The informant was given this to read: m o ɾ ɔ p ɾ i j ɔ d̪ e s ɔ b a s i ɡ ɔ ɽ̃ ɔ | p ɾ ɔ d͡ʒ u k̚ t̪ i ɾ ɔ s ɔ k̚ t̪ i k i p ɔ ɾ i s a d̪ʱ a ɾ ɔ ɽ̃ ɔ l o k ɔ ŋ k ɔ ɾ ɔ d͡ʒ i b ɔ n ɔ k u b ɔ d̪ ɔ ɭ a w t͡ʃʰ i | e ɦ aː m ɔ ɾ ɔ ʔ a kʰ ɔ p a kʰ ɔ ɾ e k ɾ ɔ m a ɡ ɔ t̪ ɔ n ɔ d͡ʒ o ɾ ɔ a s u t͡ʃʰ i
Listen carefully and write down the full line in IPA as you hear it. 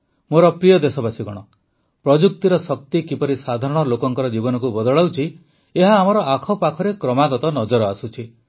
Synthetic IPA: m o ɾ ɔ p ɾ i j ɔ d̪ e s ɔ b a s i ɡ ɔ ɽ̃ ɔ | p ɾ ɔ d͡ʒ u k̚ t̪ i ɾ ɔ s ɔ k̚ t̪ i k i p ɔ ɾ i s a d̪ʱ a ɾ ɔ ɽ̃ ɔ l o k ɔ ŋ k ɔ ɾ ɔ d͡ʒ i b ɔ n ɔ k u b ɔ d̪ ɔ ɭ a w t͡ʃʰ i | e ɦ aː m ɔ ɾ ɔ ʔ a kʰ ɔ p a kʰ ɔ ɾ e k ɾ ɔ m a ɡ ɔ t̪ ɔ n ɔ d͡ʒ ɔ ɾ ɔ a s u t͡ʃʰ i